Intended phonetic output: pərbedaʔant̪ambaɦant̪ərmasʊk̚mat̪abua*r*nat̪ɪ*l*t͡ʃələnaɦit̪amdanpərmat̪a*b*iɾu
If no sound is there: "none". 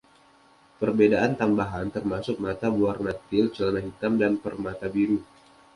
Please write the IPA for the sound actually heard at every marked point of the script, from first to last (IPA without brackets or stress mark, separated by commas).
r, l, b